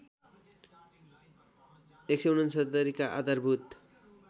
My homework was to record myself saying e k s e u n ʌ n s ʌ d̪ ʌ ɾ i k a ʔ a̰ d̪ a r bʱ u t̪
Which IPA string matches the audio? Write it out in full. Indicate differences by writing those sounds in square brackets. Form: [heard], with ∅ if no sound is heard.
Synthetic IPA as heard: e k s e u n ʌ n s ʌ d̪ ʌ ɾ i k a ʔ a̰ d̪ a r bʱ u t̪